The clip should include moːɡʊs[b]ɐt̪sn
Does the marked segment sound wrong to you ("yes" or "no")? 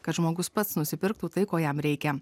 yes